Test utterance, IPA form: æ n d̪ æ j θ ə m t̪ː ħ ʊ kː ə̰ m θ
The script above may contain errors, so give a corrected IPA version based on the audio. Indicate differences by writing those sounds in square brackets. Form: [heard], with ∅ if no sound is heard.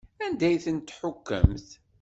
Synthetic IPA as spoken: æ n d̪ æ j θ ə [n] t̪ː ħ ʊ kː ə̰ m θ